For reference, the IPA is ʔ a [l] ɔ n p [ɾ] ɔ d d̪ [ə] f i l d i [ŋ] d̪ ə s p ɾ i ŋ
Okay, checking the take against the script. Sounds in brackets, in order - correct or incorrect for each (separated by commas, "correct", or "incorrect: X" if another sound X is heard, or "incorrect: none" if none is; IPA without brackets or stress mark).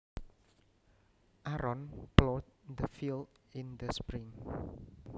incorrect: ɾ, incorrect: l, correct, incorrect: n